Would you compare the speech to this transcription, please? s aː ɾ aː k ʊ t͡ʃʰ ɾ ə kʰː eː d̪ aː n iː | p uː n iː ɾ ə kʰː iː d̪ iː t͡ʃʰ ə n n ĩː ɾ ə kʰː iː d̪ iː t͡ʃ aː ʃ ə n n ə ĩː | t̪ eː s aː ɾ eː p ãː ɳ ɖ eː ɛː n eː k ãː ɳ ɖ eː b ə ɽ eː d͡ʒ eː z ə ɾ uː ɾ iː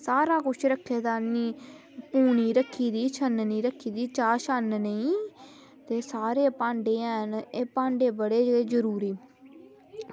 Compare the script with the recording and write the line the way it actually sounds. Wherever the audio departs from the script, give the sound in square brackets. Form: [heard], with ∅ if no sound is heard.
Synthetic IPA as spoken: s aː ɾ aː k ʊ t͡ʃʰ ɾ ə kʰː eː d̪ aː n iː | p uː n iː ɾ ə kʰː iː d̪ iː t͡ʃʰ ə n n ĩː ɾ ə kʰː iː d̪ iː t͡ʃ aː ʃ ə n n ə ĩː | t̪ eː s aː ɾ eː p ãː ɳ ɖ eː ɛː n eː [p] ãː ɳ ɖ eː b ə ɽ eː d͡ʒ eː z ə ɾ uː ɾ iː